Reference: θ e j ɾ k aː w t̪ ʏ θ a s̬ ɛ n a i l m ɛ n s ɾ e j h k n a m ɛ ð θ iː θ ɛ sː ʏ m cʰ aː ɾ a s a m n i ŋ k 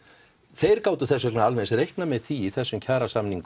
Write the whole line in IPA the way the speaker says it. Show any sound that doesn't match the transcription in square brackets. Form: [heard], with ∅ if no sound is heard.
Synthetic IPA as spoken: θ e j ɾ k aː w t̪ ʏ θ [ɛ] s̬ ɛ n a [a] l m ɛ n s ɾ e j h k n a m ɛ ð θ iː θ ɛ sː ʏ m cʰ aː ɾ a s a m n i ŋ k